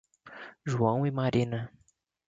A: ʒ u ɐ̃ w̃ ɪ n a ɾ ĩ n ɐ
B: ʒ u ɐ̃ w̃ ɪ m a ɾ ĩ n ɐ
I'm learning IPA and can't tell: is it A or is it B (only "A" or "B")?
B